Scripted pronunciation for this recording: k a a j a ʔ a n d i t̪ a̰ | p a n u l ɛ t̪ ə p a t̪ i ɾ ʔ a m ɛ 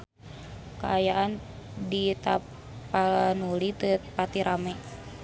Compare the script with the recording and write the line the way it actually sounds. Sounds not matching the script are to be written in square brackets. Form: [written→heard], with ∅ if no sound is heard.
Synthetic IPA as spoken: k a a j a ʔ a n d i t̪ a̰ | p a n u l [ɛ→i] t̪ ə p a t̪ i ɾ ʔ a m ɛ

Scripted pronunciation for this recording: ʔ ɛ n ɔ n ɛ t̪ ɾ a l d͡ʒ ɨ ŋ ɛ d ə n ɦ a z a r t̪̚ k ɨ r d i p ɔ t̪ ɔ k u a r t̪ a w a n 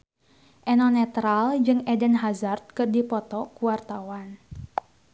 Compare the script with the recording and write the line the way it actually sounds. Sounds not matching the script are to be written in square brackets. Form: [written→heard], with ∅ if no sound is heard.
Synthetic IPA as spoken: ʔ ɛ n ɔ n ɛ t̪ ɾ a l d͡ʒ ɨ ŋ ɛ d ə n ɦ a z a r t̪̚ k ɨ r d i p ɔ t̪ ɔ k u a r t̪ a w a n

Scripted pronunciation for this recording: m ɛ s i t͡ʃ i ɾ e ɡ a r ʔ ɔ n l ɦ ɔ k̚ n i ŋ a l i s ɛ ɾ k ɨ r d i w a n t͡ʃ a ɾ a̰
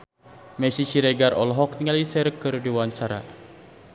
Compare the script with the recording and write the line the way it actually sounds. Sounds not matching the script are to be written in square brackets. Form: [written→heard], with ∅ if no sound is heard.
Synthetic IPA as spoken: m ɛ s i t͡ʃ i ɾ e ɡ a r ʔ ɔ [n→∅] l ɦ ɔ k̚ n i ŋ a l i s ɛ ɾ k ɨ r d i w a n t͡ʃ a ɾ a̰

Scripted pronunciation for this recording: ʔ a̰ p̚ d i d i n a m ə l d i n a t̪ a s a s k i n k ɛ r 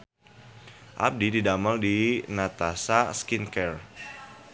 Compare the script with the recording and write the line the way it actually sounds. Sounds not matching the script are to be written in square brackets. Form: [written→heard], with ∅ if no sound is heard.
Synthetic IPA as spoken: ʔ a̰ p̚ d i d i [n→d] a m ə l d i n a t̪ a s a s k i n k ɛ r

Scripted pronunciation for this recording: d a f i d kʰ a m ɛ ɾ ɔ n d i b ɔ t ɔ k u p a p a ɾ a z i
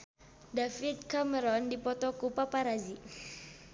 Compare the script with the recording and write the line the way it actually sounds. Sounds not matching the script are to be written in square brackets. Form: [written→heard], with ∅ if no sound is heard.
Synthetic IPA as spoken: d a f i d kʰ a m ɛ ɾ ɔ n d i [b→p] ɔ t ɔ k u p a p a ɾ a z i

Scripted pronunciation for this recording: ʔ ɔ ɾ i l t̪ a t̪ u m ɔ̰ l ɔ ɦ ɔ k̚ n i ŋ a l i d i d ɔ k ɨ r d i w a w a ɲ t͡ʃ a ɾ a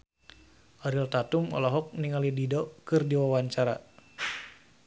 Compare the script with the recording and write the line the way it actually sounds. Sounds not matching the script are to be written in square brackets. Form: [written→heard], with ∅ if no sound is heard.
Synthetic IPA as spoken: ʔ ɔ ɾ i l t̪ a t̪ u m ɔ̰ l ɔ ɦ ɔ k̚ n i ŋ a l i d i d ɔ k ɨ r d i w a w a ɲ t͡ʃ a ɾ a

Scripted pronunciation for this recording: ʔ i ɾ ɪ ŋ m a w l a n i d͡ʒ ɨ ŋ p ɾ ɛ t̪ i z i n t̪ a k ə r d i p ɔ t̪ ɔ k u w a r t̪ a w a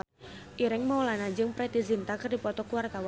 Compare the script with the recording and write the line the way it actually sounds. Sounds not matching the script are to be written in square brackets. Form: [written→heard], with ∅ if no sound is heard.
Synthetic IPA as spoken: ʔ i ɾ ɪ ŋ m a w l a n [i→a] d͡ʒ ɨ ŋ p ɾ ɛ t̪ i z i n t̪ a k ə r d i p ɔ t̪ ɔ k u w a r t̪ a w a

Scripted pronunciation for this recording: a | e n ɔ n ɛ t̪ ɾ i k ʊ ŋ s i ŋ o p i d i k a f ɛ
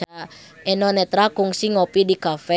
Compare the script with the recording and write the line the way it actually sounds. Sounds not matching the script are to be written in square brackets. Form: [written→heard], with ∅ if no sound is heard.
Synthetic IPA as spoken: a | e n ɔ n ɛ t̪ ɾ [i→a] k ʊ ŋ s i ŋ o p i d i k a f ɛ

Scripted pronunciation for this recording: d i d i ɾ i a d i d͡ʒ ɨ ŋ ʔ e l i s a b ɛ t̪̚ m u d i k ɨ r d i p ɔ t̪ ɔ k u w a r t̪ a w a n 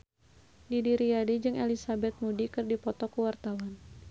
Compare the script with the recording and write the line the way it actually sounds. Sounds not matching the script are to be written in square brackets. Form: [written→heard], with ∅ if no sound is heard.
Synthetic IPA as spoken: d i d i ɾ i a d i d͡ʒ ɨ ŋ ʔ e l i s a b ɛ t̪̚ m u d i k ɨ r d i p ɔ t̪ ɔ k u w a r t̪ a w a n

